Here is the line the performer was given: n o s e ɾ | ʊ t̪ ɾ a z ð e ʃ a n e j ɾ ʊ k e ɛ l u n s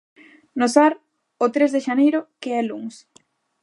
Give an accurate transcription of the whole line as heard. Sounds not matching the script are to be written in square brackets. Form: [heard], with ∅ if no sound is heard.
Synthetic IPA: n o s [a] ɾ | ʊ t̪ ɾ [e] z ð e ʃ a n e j ɾ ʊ k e ɛ l u [ŋ] s